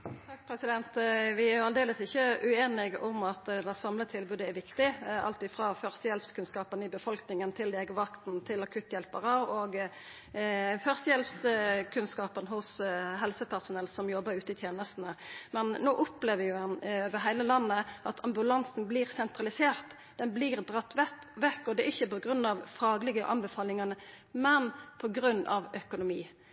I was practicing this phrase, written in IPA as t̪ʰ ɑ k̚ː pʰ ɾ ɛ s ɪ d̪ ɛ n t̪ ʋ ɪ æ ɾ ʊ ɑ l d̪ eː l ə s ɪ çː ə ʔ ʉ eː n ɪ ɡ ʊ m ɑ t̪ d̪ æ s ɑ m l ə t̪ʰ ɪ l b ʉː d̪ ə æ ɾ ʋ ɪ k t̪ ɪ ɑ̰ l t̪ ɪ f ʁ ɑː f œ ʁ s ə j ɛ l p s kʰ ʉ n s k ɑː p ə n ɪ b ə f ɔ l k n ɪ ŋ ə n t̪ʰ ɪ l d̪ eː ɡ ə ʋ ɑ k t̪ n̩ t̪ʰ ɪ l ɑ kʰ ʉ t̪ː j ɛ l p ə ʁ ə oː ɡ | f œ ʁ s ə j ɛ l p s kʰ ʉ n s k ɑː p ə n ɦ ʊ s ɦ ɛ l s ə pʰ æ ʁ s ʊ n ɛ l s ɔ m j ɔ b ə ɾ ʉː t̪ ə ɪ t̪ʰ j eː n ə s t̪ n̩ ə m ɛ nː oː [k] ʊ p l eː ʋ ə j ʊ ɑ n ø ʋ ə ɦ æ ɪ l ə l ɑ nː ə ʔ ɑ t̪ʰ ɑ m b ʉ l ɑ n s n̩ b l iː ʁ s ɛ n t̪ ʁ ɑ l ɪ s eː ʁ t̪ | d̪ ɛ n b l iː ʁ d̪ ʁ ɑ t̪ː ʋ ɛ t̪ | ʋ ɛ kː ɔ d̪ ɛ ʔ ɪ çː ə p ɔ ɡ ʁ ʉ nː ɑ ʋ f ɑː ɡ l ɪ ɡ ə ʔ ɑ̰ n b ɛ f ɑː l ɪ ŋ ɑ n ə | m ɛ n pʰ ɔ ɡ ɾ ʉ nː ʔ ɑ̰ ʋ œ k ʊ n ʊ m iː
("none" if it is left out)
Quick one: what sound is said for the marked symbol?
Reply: ʔ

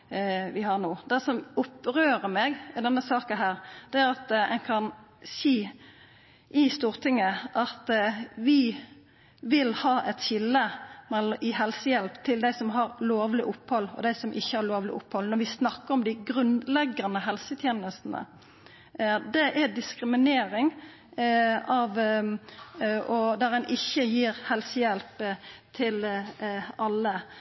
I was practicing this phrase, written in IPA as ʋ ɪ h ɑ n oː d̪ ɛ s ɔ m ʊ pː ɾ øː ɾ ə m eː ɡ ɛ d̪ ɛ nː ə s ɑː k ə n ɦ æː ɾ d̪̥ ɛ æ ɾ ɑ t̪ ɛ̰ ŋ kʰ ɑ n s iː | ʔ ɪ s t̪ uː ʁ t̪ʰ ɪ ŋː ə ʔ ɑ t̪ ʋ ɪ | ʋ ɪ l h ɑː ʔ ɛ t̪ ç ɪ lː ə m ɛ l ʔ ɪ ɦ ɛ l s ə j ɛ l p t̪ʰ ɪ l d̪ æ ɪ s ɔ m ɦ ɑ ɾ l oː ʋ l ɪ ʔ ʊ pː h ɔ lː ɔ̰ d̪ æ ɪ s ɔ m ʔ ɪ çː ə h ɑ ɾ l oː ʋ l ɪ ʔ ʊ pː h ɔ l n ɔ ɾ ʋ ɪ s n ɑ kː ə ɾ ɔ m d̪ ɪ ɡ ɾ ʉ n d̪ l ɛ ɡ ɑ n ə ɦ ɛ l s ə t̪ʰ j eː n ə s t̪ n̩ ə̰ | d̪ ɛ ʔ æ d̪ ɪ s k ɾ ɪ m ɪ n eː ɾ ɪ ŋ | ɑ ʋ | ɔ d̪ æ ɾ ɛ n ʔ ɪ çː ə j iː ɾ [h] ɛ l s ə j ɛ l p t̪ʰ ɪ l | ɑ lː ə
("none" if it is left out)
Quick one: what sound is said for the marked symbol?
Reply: h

